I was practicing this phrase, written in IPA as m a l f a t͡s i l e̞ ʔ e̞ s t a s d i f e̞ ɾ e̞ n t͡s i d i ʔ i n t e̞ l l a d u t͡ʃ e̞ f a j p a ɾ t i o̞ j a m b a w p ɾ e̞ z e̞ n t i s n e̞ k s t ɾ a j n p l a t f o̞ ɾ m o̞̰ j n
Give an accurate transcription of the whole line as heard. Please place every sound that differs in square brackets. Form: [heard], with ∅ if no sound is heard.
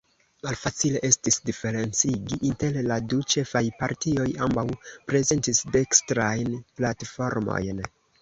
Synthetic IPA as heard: m a l f a t͡s i l e̞ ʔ e̞ s t [i] s d i f e̞ ɾ e̞ n t͡s i [ɡ] i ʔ i n t e̞ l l a d u t͡ʃ e̞ f a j p a ɾ t i o̞ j a m b a w p ɾ e̞ z e̞ n t i s [d] e̞ k s t ɾ a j n p l a t f o̞ ɾ m o̞̰ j n